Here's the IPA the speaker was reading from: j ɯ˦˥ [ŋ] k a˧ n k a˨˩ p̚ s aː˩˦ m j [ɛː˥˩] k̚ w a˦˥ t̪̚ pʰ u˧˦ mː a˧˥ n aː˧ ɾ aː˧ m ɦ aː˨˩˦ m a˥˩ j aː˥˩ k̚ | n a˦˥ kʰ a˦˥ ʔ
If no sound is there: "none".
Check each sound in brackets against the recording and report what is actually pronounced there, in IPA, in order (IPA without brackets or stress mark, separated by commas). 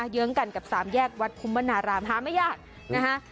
ŋ, ɛː˥˩